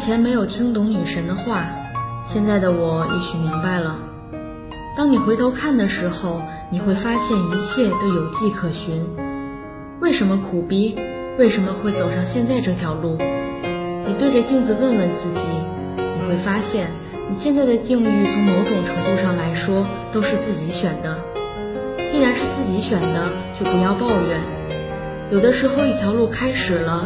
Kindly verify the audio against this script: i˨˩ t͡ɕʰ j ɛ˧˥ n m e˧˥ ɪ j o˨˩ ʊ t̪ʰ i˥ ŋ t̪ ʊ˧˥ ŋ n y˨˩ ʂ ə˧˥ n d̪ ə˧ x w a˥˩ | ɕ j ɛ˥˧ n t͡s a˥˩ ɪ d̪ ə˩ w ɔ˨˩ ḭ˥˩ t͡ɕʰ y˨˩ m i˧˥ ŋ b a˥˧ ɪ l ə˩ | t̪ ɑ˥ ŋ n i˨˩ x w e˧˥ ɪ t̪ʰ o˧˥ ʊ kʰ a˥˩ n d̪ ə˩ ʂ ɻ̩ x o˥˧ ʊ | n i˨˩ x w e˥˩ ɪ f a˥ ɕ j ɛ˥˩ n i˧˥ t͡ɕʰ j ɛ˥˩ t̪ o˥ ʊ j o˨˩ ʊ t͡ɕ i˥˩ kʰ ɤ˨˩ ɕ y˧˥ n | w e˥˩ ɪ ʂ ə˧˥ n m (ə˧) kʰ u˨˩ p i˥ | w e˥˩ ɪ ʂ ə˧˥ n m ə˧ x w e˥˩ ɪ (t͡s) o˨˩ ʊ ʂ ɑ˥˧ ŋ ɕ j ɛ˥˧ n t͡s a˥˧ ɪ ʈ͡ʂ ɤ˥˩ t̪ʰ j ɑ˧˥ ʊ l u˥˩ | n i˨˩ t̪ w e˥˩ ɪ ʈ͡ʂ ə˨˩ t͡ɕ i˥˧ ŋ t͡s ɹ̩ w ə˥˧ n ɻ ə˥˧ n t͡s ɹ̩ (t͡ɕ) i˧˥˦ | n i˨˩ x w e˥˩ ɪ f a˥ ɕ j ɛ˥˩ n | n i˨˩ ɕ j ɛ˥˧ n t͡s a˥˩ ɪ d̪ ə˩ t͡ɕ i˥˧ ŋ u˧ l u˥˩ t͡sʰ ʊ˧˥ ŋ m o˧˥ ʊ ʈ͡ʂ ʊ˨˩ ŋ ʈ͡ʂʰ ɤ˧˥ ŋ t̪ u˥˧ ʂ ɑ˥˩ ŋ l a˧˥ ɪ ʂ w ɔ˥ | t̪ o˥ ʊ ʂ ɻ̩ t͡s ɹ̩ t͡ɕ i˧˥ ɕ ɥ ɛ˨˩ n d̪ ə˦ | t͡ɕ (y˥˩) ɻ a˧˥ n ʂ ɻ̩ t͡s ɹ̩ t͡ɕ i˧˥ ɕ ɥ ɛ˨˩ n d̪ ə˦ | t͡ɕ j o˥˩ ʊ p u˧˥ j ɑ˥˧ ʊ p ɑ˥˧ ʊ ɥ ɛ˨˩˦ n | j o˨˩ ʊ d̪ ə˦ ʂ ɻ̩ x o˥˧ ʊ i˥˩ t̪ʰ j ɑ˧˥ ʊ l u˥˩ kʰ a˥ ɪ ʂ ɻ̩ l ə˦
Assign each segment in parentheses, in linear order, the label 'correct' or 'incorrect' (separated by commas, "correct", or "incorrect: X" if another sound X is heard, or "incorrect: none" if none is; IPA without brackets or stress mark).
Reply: correct, correct, correct, incorrect: i˥˩